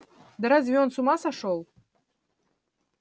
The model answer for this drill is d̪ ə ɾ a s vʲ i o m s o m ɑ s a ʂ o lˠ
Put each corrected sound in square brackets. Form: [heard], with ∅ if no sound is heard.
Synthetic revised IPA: d̪ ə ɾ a [z] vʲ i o [n] s [u] m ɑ s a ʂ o lˠ